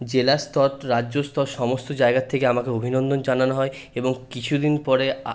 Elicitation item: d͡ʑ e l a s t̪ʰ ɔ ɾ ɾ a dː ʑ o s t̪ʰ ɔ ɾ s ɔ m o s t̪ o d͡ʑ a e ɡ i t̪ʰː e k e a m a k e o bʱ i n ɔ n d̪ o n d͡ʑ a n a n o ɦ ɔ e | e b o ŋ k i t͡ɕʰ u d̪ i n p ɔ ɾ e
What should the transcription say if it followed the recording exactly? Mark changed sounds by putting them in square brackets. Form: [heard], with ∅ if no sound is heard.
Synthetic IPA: d͡ʑ e l a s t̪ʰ ɔ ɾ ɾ a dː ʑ o s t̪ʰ ɔ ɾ [ʃ] ɔ m o s t̪ o d͡ʑ a e ɡ [a] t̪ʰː e k e a m a k e o bʱ i n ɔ n d̪ o n d͡ʑ a n a n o ɦ ɔ e | e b o ŋ k i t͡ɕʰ u d̪ i n p ɔ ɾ e

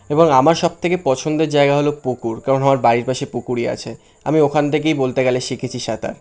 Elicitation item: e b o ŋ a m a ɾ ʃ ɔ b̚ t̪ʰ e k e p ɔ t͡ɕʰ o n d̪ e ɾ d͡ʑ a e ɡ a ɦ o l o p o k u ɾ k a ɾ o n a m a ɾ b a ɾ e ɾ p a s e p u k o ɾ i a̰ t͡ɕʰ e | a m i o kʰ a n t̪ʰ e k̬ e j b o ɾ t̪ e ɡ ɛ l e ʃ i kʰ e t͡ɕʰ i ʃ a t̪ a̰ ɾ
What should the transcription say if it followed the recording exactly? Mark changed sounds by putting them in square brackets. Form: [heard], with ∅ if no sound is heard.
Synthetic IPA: e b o ŋ a m a ɾ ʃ ɔ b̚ t̪ʰ e k e p ɔ t͡ɕʰ o n d̪ e ɾ d͡ʑ a e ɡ a ɦ o l o p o k u ɾ k a ɾ o n a m a ɾ b a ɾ [i] ɾ p a [ʃ] e p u k [u] ɾ i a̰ t͡ɕʰ e | a m i o kʰ a n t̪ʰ e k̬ e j b o [l] t̪ e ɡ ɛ l e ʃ i kʰ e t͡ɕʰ i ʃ a t̪ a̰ ɾ

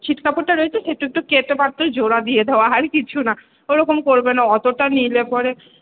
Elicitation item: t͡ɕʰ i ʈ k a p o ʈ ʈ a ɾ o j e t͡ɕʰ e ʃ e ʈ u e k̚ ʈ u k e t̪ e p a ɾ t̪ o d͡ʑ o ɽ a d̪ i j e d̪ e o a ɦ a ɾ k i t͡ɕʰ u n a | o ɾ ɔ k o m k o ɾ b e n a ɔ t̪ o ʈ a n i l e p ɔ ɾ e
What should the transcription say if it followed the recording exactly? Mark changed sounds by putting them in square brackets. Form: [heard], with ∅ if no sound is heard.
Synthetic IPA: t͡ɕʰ i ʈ k a p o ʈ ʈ a ɾ o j e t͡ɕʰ e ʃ e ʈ u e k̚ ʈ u k e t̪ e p a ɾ t̪ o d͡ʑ o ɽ a d̪ i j e d̪ e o a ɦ a ɾ k i t͡ɕʰ u n a | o ɾ ɔ k o m k o ɾ b e n a ɔ t̪ o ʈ a n i l e p ɔ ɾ e

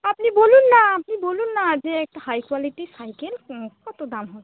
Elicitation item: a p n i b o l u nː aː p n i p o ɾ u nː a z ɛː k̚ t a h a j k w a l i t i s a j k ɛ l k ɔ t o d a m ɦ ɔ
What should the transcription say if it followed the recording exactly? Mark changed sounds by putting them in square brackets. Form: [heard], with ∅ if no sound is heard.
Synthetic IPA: a p n i b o l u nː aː p n i [b] o [l] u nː a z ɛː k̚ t a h a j k w a l i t i s a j k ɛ l k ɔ t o d a m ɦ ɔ

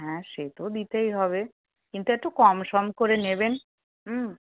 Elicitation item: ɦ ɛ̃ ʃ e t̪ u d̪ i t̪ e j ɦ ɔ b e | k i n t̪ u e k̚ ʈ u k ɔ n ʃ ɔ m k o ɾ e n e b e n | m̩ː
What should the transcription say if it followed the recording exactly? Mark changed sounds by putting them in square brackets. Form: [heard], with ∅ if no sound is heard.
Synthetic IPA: ɦ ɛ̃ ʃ e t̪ [o] d̪ i t̪ e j ɦ ɔ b e | k i n t̪ u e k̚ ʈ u k ɔ [m] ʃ ɔ m k o ɾ e n e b e n | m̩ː

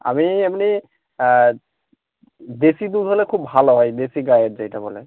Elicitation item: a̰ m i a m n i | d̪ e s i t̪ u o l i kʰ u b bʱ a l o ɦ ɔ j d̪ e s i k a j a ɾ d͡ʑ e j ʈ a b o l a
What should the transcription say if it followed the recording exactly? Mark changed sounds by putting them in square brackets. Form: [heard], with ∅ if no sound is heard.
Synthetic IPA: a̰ m i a m n i | d̪ e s i [d̪] u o l [e] kʰ u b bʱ a l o ɦ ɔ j d̪ e s i [ɡ] a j [e] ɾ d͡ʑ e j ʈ a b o l [e]

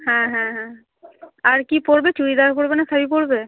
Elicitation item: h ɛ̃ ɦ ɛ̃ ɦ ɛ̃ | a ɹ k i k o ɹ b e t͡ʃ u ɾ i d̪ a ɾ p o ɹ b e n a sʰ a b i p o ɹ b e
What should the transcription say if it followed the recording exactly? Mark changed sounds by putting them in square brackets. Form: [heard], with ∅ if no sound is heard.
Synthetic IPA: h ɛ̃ ɦ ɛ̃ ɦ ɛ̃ | a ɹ k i [p] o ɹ b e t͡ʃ u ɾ i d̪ a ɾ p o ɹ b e n a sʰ a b i p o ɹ b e

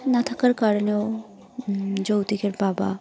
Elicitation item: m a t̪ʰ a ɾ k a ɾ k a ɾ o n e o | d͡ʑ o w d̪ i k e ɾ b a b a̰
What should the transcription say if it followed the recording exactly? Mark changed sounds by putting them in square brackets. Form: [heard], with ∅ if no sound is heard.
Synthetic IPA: [n] a t̪ʰ a [∅] k a ɾ k a ɾ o n e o | d͡ʑ o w [t̪] i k e ɾ b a b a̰

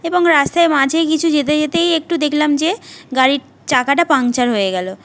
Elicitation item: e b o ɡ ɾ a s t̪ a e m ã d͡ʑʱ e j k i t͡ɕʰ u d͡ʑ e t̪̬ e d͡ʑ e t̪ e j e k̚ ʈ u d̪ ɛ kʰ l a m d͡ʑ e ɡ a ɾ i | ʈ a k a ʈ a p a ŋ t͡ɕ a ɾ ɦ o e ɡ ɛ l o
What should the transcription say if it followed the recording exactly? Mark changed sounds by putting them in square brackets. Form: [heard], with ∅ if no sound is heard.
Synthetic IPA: e b o [ŋ] ɾ a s t̪ a e m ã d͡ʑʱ e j k i t͡ɕʰ u d͡ʑ e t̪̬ e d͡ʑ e t̪ e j e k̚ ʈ u d̪ [e] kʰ l a m d͡ʑ e ɡ a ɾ i | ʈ a k a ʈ a p a ŋ t͡ɕ a ɾ ɦ o e ɡ ɛ l o

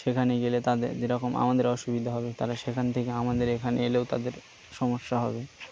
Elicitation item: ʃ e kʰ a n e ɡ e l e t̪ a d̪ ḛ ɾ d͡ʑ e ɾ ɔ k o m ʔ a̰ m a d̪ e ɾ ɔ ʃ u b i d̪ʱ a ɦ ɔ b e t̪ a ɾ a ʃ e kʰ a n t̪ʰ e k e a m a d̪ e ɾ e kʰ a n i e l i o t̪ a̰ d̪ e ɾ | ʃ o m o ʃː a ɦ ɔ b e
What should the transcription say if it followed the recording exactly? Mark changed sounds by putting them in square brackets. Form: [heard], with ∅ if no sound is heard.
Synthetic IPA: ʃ e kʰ a n e ɡ e l e t̪ a d̪ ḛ ɾ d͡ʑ e ɾ ɔ k o m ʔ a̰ m a d̪ e ɾ ɔ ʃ u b i d̪ʱ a ɦ ɔ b e t̪ a ɾ a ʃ e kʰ a n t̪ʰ e k e a m a d̪ e ɾ e kʰ a n [e] e l [e] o t̪ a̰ d̪ e ɾ | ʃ [ɔ] m o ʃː a ɦ ɔ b e

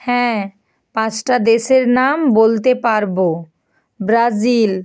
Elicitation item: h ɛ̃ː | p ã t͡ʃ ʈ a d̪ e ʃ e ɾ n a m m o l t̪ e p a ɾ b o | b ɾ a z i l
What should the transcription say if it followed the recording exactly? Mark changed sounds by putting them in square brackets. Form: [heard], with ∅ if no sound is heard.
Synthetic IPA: h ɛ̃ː | p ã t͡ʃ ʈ a d̪ e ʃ e ɾ n a m [b] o l t̪ e p a ɾ b o | b ɾ a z i l

